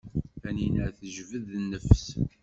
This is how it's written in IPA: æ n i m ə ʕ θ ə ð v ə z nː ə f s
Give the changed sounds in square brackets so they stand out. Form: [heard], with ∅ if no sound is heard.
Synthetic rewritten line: æ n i [n] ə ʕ θ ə [ʒ] v ə [ð] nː ə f s

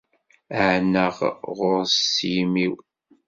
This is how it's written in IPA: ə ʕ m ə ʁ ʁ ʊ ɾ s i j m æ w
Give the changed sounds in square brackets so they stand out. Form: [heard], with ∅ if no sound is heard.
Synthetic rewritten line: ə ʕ [n] ə ʁ ʁ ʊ ɾ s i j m [i] w

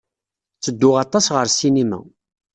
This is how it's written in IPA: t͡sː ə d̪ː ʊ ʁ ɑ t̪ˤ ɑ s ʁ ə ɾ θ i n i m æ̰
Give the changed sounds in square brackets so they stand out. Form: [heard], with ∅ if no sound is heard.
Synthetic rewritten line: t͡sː ə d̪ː ʊ ʁ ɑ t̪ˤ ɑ s ʁ ə ɾ [s] i n i m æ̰

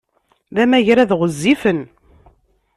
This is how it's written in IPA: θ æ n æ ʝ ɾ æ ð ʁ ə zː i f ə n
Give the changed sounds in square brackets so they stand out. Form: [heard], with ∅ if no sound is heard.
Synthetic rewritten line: [ð] æ [m] æ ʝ ɾ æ ð ʁ ə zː i f ə n

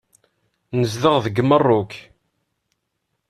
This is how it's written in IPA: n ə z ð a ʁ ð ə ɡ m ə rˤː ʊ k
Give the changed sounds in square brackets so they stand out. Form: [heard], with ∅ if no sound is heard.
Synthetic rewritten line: n ə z ð [ə] ʁ ð ə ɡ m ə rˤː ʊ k

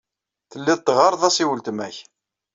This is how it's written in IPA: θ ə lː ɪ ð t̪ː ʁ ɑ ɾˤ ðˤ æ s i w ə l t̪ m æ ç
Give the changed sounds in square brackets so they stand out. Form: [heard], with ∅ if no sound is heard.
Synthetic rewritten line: θ ə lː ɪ ð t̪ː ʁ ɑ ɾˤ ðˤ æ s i w ə l t̪ m æ ç

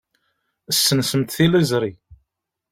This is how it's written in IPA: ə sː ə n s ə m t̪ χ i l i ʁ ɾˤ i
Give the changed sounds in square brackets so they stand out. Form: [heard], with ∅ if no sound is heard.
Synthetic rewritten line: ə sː ə n s ə m t̪ [θ] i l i [z] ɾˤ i

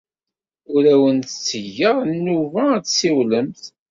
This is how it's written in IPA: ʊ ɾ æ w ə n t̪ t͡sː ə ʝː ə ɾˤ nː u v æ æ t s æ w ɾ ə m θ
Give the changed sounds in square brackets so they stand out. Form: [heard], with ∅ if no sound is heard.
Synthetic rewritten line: ʊ ɾ æ w ə n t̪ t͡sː ə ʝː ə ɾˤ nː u v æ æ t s [i] w [l] ə m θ

